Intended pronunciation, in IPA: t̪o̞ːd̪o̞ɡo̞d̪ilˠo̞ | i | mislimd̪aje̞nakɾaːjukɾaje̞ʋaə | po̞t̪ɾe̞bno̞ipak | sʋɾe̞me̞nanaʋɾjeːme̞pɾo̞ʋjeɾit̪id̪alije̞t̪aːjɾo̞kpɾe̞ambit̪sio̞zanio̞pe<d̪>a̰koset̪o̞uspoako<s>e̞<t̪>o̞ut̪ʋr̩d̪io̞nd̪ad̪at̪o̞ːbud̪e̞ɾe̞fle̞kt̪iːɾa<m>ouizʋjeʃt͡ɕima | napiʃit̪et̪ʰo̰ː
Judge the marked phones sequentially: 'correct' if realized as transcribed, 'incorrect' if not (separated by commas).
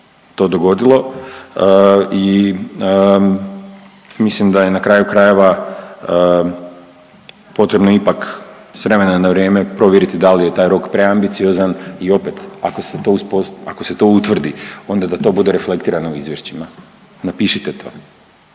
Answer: incorrect, correct, correct, incorrect